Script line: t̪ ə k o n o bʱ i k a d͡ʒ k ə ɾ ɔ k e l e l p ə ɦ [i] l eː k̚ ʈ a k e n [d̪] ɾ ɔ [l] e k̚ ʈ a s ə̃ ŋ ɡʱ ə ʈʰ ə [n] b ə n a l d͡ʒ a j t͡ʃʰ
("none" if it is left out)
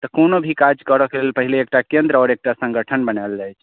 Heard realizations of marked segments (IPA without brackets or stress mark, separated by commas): i, d̪, ɾ, n